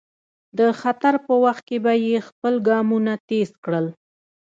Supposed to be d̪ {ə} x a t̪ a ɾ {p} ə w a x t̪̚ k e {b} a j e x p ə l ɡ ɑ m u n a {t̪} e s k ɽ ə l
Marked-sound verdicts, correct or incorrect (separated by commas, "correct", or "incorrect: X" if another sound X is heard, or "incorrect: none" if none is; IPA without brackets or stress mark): correct, correct, correct, correct